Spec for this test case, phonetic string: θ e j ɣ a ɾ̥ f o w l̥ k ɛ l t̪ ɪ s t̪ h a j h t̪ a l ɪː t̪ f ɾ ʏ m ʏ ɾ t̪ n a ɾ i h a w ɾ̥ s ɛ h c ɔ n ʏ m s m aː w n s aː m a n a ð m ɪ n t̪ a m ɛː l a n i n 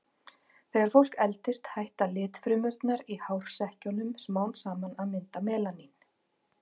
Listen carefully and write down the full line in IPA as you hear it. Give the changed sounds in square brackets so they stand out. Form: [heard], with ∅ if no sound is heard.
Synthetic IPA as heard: θ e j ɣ a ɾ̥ f o w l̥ k ɛ l t̪ ɪ s t̪ h a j h t̪ a l ɪː t̪ f ɾ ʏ m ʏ ɾ t̪ n a ɾ i h a w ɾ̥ s ɛ h c ɔ n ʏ m s m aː w n s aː m a n a ð m ɪ n t̪ a m ɛː l a n i n

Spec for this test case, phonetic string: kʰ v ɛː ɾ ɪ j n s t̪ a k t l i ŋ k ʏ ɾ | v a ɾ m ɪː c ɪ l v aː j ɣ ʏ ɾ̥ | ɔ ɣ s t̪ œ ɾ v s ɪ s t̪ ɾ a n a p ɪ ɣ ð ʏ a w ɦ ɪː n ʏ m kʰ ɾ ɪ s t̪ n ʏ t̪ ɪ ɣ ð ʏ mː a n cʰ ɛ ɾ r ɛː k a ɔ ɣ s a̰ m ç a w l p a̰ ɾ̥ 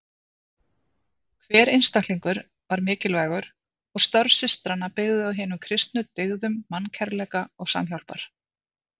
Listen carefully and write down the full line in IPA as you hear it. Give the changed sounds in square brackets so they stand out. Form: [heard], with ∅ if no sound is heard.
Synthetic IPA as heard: kʰ v ɛː ɾ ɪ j n s t̪ a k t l i ŋ k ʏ ɾ | v a ɾ m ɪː c ɪ l v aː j ɣ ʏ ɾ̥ | ɔ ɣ s t̪ œ ɾ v s ɪ s t̪ ɾ a n a p ɪ ɣ ð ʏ a w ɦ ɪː n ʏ m kʰ ɾ ɪ s t̪ n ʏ t̪ ɪ ɣ ð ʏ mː a n cʰ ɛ ɾ [l] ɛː k a ɔ ɣ s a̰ m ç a w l p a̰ ɾ̥

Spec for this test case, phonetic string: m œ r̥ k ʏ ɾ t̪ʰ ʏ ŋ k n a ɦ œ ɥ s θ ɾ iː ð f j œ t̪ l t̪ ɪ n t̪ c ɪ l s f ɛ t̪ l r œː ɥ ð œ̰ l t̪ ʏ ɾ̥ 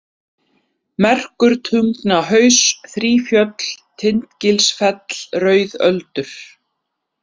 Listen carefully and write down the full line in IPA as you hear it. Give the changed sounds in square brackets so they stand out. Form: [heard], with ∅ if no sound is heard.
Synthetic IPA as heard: m [ɛ] r̥ k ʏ ɾ t̪ʰ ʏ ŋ k n a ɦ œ ɥ s θ ɾ iː [∅] f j œ t̪ l [t̪ʰ] ɪ n t̪ c ɪ l s f ɛ t̪ l r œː ɥ ð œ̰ l t̪ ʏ ɾ̥

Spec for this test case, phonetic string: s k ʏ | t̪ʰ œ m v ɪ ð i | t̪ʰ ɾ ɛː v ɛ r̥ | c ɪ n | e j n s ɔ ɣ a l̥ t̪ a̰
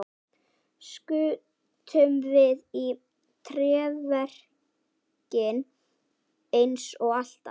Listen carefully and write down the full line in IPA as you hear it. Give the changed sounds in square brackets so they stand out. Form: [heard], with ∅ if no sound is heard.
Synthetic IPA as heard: s k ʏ | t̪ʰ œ m v ɪ ð i | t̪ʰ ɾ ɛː v ɛ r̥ | c ɪ n | e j n s ɔ ɣ a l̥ t̪ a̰

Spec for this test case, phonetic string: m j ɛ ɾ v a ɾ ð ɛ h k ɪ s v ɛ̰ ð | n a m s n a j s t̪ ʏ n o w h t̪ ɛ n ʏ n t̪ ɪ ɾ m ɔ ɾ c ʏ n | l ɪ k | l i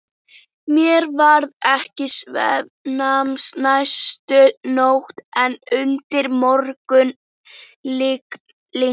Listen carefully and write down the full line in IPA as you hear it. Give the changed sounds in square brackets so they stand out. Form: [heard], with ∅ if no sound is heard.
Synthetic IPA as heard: m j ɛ ɾ v a ɾ ð ɛ h [c] ɪ s v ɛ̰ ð | n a m s n a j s t̪ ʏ n o w h t̪ ɛ n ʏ n t̪ ɪ ɾ m ɔ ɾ [k] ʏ n | l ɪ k | l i

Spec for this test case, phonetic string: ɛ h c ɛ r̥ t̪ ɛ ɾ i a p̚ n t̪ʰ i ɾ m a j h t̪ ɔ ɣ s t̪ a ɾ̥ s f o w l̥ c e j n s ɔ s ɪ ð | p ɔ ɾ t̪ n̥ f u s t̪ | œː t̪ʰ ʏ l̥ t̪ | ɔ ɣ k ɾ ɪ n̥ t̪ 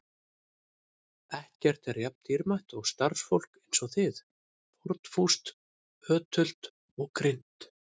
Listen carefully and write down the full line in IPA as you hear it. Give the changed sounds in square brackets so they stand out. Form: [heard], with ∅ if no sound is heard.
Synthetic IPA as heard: ɛ h c ɛ r̥ t̪ ɛ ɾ [j] a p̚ n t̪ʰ i ɾ m a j h t̪ ɔ ɣ s t̪ a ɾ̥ s f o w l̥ [k] e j n s ɔ [θ] ɪ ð | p ɔ ɾ t̪ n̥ f u s t̪ | œː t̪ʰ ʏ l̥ t̪ | ɔ ɣ k ɾ ɪ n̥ t̪

